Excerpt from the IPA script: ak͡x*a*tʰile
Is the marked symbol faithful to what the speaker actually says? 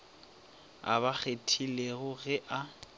no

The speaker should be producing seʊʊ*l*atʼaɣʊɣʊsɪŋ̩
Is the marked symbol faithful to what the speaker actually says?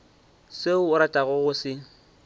no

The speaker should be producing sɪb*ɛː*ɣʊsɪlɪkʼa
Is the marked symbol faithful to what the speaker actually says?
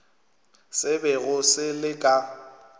no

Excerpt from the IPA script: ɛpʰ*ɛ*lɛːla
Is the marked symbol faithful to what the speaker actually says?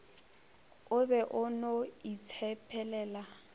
yes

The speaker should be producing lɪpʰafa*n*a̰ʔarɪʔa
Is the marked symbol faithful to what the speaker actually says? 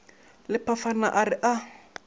yes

